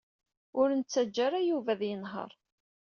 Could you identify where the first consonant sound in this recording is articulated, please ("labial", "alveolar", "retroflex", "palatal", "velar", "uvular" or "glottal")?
alveolar